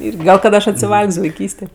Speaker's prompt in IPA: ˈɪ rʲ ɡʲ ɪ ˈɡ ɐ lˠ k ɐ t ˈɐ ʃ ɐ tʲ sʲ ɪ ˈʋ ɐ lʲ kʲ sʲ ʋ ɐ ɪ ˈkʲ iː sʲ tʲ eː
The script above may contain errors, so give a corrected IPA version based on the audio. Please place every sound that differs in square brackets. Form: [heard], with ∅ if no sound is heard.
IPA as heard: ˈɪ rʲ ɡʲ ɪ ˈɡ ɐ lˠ k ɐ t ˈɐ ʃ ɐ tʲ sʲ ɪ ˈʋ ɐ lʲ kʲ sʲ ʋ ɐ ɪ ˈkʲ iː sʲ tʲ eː